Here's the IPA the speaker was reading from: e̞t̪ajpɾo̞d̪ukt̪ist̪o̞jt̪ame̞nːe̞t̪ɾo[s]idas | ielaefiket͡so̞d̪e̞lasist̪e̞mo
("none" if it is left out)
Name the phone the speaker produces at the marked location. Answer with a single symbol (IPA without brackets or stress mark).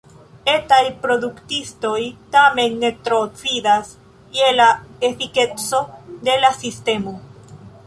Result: t͡s